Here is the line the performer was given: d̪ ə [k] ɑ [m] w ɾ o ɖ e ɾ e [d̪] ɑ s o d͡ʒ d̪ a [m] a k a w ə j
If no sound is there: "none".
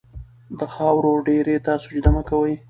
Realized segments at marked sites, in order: x, none, t̪, m

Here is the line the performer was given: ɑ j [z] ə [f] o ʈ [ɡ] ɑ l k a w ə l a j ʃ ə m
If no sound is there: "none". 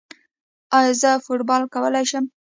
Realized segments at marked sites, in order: z, f, b

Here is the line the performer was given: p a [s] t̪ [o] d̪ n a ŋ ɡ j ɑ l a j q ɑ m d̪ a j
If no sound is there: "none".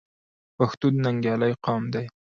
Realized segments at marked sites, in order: x, u

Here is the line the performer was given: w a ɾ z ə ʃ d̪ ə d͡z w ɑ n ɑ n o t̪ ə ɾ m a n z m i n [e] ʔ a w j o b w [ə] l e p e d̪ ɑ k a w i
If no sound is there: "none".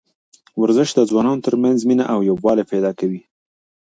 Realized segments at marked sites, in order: a, ɑ

